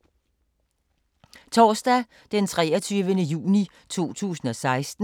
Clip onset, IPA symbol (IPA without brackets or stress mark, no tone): t͡sʰ